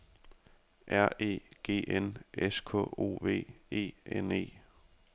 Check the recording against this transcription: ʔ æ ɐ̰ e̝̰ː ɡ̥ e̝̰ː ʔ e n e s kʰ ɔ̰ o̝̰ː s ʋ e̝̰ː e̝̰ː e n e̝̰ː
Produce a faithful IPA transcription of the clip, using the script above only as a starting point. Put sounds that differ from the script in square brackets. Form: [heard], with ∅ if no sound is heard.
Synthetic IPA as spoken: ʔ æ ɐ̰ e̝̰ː ɡ̥ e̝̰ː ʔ e n e s kʰ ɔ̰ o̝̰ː [∅] ʋ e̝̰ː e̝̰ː e n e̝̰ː